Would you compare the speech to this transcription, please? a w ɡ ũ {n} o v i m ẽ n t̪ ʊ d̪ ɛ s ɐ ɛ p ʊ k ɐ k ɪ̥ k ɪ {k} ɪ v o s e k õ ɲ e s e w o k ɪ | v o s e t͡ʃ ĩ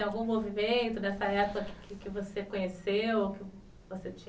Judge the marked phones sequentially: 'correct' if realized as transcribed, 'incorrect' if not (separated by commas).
incorrect, correct